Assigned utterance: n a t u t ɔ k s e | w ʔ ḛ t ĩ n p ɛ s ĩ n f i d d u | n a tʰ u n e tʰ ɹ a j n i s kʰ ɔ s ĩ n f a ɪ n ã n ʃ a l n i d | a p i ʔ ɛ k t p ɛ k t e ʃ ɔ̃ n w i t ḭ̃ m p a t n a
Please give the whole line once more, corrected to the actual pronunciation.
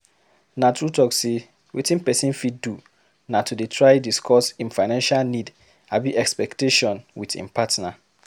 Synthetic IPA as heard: n a t u t ɔ k s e | w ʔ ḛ t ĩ n p ɛ s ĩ n f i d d u | n a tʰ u d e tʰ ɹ a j d i s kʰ ɔ s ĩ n f a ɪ n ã n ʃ a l n i d | a b i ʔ ɛ k s p ɛ k t e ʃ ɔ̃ n w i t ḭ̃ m p a t n a

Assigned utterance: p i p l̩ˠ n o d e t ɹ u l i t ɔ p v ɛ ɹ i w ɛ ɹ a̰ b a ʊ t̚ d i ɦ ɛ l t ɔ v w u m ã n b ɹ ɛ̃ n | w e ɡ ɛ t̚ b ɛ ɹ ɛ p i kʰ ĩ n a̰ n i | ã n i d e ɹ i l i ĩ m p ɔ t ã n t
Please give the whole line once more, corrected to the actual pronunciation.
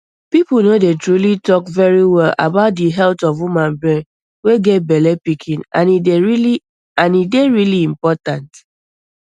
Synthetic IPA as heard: p i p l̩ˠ n o d e t ɹ u l i t ɔ k v ɛ ɹ i w ɛ l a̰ b a ʊ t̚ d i ɦ ɛ l t ɔ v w u m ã n b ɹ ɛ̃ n | w e ɡ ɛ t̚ b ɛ l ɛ p i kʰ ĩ n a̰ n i | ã n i d e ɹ i l i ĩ m p ɔ t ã n t

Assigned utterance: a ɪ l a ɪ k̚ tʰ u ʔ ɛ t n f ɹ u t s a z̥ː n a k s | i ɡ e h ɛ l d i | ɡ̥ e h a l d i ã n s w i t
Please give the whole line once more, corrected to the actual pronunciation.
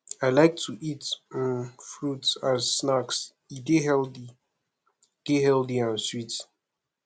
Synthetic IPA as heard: a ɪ l a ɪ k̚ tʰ u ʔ i t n f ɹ u t s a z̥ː n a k s | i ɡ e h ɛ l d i | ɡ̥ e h ɛ l d i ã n s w i t

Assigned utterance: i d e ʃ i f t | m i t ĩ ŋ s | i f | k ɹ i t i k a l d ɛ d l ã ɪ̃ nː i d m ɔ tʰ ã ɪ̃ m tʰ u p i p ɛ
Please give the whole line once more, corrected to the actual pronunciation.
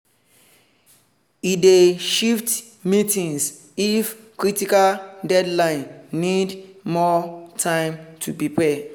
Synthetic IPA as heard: i d e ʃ i f t | m i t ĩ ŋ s | i f | k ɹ i t i k a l d ɛ d l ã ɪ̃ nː i d m ɔ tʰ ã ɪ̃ m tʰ u p i p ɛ

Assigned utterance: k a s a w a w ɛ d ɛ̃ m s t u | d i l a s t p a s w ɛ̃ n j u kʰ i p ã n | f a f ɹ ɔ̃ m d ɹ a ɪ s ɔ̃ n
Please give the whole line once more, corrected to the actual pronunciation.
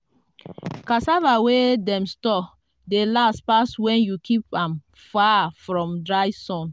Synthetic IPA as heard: k a s a v a w e d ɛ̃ m s t ɔ | d e l a s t p a s w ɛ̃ n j u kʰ i p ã m | f a f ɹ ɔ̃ m d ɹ a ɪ s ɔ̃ n

